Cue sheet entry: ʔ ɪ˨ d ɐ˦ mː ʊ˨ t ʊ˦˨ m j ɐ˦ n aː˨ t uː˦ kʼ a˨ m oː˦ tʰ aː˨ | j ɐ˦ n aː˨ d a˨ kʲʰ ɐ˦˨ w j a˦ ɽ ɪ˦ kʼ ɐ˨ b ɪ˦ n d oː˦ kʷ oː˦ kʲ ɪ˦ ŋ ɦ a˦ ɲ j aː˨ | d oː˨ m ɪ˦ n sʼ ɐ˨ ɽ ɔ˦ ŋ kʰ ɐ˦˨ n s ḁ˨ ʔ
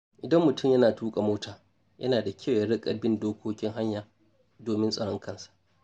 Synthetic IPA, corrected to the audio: ʔ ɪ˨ d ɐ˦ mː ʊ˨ t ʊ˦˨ m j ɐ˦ n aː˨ t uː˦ kʼ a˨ m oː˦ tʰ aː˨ | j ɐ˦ n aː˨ d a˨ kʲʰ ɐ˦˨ w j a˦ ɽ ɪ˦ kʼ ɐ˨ b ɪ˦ n d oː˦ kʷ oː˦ kʲ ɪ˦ ŋ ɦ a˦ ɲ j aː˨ | d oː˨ m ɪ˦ n sʼ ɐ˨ ɽ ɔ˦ ŋ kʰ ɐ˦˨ n s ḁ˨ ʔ